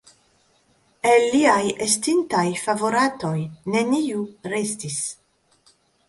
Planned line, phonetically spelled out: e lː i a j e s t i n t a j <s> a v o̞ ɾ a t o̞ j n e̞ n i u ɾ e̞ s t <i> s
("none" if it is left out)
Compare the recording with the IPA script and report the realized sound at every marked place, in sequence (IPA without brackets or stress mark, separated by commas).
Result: f, i